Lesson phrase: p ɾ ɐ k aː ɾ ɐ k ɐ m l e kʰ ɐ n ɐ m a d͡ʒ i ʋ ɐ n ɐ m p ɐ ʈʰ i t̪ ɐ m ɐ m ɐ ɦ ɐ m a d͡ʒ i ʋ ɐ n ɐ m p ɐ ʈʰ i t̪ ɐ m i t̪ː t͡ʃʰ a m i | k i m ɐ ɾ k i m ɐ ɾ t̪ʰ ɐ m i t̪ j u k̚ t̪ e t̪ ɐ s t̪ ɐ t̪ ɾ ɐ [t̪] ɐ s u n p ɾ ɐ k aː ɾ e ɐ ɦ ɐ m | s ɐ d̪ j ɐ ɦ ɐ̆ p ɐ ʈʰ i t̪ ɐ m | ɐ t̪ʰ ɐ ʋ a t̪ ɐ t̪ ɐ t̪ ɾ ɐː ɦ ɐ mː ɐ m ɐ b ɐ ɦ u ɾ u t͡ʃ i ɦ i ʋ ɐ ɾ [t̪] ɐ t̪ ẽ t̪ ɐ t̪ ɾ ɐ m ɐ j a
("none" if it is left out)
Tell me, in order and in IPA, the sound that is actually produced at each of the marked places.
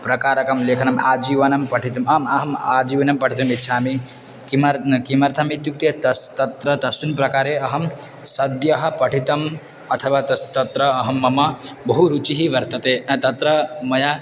t̪, t̪

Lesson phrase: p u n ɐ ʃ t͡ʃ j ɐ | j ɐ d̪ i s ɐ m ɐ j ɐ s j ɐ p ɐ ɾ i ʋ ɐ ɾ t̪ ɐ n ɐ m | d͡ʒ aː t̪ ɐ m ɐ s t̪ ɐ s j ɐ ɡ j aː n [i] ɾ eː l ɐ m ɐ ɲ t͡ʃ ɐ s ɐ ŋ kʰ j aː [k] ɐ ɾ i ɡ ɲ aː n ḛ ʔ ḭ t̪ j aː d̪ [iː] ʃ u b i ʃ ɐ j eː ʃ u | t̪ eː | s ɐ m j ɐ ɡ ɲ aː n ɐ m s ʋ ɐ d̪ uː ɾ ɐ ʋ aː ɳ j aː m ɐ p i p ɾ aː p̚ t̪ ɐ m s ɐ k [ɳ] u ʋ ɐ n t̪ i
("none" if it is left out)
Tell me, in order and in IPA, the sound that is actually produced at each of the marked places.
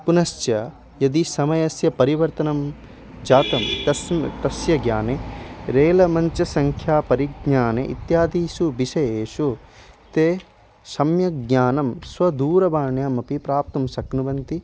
e, p, iː, n

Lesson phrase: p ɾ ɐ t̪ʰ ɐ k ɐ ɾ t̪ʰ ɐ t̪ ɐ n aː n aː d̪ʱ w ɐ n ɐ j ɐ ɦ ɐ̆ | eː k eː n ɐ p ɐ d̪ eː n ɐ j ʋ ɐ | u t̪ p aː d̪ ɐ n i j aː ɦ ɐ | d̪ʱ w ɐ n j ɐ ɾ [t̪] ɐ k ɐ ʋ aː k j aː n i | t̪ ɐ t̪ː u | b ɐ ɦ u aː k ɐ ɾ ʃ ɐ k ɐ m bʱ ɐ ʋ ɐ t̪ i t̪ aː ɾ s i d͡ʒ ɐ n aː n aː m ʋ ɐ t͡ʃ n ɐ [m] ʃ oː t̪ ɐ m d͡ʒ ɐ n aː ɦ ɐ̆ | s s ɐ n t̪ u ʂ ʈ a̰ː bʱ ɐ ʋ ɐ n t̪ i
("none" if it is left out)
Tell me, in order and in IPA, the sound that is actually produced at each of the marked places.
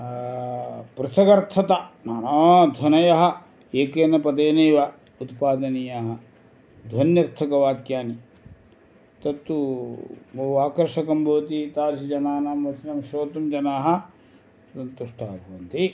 t̪ʰ, m

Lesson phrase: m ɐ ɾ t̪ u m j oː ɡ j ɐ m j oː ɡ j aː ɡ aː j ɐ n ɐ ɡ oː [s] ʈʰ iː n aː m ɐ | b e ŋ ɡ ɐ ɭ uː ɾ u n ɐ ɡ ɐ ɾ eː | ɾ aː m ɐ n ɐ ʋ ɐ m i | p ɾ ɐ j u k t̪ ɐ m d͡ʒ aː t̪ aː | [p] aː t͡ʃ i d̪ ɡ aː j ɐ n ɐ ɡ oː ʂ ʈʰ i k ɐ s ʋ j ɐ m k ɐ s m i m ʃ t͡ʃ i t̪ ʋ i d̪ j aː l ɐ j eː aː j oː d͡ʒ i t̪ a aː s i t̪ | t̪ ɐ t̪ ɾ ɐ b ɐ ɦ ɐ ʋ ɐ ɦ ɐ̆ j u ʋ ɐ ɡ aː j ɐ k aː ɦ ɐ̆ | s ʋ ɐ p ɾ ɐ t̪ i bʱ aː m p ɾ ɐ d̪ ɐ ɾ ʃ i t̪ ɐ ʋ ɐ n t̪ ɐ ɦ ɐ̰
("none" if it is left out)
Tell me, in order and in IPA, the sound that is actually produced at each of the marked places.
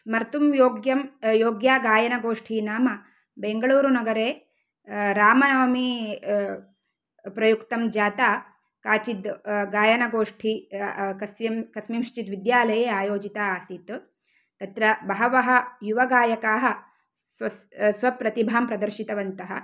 ʂ, k

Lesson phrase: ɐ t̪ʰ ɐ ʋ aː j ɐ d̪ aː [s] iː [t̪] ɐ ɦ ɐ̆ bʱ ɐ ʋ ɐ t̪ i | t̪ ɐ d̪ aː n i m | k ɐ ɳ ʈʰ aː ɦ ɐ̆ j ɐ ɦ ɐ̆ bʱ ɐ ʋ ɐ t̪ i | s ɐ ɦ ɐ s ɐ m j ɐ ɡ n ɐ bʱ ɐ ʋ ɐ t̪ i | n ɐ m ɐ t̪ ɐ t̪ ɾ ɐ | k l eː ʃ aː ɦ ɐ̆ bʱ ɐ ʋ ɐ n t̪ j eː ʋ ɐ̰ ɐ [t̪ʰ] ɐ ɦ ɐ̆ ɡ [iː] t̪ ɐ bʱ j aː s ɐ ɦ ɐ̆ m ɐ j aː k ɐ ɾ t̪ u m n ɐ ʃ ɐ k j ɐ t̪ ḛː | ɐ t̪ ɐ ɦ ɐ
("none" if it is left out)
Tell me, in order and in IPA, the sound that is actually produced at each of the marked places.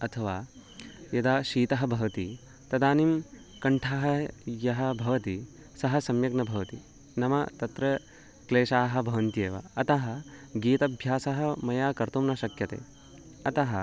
ʃ, t̪, t̪, iː

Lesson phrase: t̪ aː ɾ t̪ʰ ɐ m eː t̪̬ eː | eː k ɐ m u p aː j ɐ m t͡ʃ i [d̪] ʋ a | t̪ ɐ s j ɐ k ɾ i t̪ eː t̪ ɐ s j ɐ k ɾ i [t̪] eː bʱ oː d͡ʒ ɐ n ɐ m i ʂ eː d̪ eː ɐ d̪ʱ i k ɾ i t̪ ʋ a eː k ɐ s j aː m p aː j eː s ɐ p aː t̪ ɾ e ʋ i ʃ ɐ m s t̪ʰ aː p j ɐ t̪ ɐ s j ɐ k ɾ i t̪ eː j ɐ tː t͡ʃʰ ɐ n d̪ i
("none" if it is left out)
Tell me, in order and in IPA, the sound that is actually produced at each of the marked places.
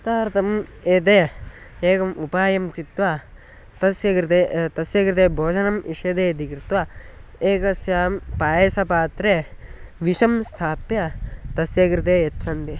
t̪, t̪

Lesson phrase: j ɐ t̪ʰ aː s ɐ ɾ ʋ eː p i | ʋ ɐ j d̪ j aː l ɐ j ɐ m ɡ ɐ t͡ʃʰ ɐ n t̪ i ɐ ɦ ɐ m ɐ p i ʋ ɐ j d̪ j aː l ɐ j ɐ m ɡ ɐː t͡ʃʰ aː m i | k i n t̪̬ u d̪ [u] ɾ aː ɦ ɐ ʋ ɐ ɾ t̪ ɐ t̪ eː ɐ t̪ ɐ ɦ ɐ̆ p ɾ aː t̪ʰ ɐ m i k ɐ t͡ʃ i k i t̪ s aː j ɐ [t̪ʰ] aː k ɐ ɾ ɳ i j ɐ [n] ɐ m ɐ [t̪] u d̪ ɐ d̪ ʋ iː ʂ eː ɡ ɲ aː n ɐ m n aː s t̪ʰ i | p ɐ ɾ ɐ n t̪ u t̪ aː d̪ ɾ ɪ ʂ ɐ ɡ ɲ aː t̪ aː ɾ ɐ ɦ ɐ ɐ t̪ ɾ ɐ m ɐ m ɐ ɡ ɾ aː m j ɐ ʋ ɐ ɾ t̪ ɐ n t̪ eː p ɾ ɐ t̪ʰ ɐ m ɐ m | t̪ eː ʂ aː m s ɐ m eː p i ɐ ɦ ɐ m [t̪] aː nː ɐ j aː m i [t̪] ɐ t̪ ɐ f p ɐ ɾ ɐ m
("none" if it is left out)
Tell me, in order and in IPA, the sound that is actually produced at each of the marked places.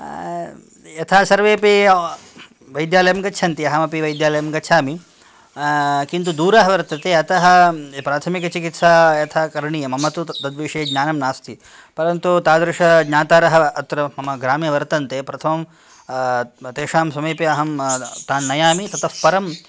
uː, t̪ʰ, m, t̪, t̪, t̪

